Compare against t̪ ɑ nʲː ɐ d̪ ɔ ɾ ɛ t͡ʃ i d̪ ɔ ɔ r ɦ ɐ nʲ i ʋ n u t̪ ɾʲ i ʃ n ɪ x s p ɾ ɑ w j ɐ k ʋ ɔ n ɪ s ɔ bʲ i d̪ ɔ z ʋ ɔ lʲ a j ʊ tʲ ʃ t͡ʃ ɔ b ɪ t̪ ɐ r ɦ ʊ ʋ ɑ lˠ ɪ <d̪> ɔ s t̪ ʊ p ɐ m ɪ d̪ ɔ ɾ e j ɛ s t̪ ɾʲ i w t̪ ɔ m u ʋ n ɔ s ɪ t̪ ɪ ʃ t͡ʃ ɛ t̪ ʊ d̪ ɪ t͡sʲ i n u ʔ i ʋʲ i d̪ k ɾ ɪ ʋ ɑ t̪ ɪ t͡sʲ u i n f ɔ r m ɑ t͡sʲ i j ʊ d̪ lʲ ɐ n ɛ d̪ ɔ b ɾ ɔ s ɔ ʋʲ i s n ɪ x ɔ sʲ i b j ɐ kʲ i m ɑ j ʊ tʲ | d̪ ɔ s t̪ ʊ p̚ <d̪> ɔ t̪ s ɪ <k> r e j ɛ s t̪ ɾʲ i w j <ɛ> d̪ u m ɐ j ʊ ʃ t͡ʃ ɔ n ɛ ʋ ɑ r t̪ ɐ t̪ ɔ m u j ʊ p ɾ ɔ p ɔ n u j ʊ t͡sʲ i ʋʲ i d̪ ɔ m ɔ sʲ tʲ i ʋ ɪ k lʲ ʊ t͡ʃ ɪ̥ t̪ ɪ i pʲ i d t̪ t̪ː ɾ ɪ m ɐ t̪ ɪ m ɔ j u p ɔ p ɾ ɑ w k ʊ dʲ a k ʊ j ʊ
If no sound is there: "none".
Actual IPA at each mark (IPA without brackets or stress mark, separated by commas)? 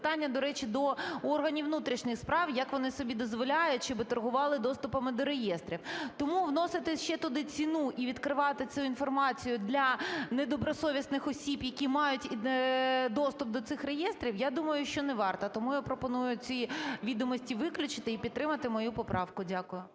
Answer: d̪, d̪, x, a